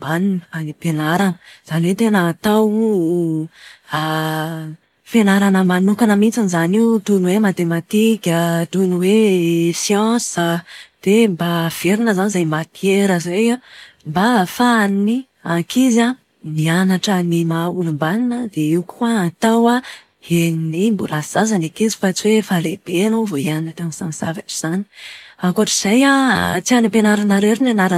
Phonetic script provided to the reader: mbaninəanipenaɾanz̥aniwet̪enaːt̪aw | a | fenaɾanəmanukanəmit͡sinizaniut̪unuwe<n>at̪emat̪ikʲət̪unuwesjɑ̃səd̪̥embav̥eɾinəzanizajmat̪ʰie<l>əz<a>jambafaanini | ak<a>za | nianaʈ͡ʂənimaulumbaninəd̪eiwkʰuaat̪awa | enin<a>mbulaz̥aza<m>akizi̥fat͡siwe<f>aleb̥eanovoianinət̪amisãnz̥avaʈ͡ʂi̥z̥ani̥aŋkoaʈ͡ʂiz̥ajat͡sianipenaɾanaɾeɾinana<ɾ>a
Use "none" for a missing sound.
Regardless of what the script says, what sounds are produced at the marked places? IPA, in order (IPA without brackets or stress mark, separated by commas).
m, ɾ, e, i, i, n, f, ɾ